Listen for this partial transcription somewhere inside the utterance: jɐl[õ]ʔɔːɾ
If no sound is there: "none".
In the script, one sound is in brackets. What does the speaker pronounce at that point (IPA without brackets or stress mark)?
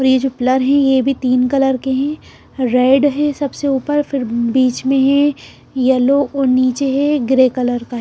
o